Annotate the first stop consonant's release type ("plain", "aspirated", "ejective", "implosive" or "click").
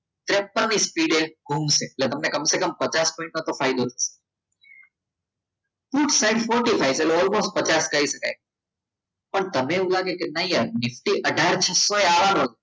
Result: plain